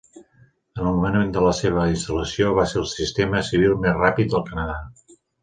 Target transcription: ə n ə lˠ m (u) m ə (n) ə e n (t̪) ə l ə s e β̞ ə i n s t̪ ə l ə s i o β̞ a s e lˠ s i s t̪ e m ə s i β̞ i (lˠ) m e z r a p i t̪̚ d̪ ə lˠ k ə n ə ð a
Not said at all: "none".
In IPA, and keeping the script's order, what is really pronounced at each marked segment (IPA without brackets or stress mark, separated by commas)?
u, n, d̪, lˠ